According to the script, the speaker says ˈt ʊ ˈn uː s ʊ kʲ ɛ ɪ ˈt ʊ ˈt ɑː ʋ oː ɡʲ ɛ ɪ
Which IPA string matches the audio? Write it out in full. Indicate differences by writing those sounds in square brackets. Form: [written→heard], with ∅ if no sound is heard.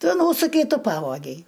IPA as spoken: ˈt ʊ ˈn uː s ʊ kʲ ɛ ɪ ˈt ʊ [ˈt→ˈp] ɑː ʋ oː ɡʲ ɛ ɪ

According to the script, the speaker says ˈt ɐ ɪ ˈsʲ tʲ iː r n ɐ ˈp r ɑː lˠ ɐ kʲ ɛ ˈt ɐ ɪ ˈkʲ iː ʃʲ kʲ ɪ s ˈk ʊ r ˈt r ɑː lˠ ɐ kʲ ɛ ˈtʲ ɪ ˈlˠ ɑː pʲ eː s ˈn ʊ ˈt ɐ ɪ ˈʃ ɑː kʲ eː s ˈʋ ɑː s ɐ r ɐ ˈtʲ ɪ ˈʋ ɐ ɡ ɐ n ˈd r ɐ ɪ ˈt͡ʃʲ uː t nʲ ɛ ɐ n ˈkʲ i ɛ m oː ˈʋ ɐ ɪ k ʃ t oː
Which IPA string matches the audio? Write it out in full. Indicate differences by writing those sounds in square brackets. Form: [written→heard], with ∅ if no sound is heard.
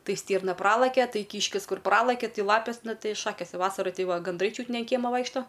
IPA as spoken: ˈt ɐ ɪ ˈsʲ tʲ iː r n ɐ ˈp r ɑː lˠ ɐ kʲ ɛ ˈt ɐ ɪ ˈkʲ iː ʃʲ kʲ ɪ s ˈk ʊ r [ˈt→ˈp] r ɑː lˠ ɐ kʲ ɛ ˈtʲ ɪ ˈlˠ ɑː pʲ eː s ˈn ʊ ˈt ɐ ɪ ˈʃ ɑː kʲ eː s ˈʋ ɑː s ɐ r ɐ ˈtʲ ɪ ˈʋ ɐ ɡ ɐ n ˈd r ɐ ɪ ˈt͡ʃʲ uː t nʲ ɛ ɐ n ˈkʲ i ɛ m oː ˈʋ ɐ ɪ k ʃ t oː

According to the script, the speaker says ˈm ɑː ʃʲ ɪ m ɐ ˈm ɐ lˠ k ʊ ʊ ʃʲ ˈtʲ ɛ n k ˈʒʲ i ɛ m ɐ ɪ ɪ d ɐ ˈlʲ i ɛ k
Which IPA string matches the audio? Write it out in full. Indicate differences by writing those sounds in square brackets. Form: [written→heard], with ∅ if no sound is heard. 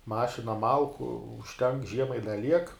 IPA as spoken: ˈm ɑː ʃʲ ɪ [m→n] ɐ ˈm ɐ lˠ k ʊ ʊ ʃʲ ˈtʲ ɛ [n→ŋ] k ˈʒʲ i ɛ m ɐ ɪ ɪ d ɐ ˈlʲ i ɛ k

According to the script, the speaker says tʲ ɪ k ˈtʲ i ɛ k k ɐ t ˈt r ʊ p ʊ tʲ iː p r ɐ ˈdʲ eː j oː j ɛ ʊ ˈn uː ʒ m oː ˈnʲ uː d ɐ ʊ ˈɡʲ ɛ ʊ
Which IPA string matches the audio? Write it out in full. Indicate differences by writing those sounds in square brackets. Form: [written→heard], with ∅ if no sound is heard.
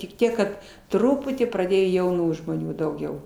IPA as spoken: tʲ ɪ k ˈtʲ i ɛ k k ɐ t ˈt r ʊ p ʊ tʲ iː p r ɐ ˈdʲ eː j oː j ɛ ʊ ˈn uː ʒ m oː ˈnʲ uː d ɐ ʊ ˈɡʲ ɛ ʊ

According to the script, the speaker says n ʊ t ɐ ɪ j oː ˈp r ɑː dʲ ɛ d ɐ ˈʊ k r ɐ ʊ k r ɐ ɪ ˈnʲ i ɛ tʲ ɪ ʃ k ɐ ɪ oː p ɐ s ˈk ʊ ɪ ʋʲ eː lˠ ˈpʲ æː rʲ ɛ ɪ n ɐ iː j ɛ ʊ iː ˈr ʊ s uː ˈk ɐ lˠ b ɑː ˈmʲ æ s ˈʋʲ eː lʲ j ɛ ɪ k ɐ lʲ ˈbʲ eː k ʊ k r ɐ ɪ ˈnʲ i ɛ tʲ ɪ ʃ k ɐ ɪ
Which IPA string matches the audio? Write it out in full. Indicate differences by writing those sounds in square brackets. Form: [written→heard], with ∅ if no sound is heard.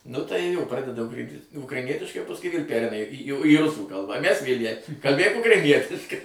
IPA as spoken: n ʊ t ɐ ɪ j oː ˈp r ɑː dʲ ɛ d ɐ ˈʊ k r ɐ ʊ k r ɐ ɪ ˈnʲ i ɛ tʲ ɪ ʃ k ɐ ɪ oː p ɐ s ˈk ʊ ɪ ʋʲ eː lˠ ˈpʲ æː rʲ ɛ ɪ n ɐ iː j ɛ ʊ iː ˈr ʊ s uː ˈk ɐ lˠ b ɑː ˈmʲ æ s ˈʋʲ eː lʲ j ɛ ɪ k ɐ lʲ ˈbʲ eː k ʊ k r ɐ ɪ ˈnʲ i ɛ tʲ ɪ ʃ k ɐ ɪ

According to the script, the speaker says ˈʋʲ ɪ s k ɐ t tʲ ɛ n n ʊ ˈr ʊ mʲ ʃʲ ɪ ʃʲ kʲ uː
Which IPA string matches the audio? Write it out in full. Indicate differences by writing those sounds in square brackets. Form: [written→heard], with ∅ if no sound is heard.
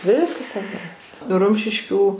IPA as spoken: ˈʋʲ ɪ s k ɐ [t→s] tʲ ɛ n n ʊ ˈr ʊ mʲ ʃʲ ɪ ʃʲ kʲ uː

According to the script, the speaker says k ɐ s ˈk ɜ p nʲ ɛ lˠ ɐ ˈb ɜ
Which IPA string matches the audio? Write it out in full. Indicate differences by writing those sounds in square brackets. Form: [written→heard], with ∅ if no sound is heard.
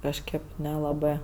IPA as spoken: k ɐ [s→ʃ] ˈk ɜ p nʲ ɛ lˠ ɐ ˈb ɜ

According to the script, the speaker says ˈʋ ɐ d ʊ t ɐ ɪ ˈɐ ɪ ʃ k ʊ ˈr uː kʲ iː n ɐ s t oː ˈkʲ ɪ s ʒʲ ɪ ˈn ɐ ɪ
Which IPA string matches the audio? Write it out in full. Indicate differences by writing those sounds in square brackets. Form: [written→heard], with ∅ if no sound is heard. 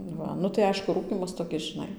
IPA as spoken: ˈʋ ɐ [d→n] ʊ t ɐ ɪ ˈɐ ɪ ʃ k ʊ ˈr uː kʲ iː [n→m] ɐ s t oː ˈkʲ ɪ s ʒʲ ɪ ˈn ɐ ɪ

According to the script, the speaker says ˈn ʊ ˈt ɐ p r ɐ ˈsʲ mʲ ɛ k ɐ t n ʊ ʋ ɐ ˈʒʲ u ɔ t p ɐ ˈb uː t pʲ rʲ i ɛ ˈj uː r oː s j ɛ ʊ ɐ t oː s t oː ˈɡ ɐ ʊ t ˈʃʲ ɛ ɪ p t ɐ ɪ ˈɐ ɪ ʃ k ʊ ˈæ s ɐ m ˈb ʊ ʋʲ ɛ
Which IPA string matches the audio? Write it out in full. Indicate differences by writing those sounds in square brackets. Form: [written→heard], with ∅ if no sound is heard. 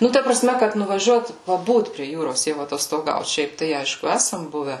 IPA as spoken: ˈn ʊ ˈt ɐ p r ɐ ˈsʲ mʲ ɛ k ɐ t n ʊ ʋ ɐ ˈʒʲ u ɔ t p ɐ ˈb uː t pʲ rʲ i ɛ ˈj uː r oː s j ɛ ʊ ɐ t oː s t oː ˈɡ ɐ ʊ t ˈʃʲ ɛ ɪ p t ɐ ɪ ˈɐ ɪ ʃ k ʊ ˈæ s ɐ m ˈb ʊ ʋʲ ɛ

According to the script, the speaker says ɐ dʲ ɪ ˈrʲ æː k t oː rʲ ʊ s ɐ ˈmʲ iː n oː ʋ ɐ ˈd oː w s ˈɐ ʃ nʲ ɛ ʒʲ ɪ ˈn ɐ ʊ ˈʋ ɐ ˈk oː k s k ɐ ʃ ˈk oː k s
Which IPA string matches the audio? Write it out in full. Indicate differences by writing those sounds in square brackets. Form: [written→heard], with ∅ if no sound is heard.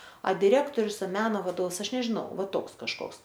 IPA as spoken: ɐ dʲ ɪ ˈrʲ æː k t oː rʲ ʊ s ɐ ˈmʲ [iː→æː] n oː ʋ ɐ ˈd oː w s ˈɐ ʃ nʲ ɛ ʒʲ ɪ ˈn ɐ ʊ ˈʋ ɐ [ˈk→ˈt] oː k s k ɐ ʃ ˈk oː k s

